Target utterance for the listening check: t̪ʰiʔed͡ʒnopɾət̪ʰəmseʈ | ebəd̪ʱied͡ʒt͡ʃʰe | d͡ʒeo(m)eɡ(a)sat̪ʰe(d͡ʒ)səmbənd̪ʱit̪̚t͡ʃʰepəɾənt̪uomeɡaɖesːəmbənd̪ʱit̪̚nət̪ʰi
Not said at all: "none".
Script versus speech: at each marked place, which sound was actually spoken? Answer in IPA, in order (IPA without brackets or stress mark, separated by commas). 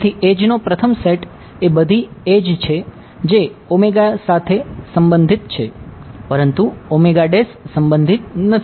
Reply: m, a, none